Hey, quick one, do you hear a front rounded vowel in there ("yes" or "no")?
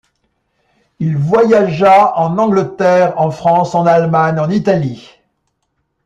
no